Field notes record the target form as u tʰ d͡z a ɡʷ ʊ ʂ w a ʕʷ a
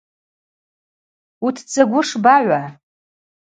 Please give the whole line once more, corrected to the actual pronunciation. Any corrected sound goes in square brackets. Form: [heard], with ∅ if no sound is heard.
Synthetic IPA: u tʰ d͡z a ɡʷ ʊ ʂ [b] a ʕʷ a